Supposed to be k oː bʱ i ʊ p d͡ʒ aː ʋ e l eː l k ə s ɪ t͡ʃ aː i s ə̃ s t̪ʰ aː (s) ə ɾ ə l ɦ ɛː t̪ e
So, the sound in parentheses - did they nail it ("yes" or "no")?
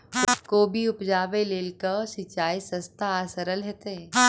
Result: yes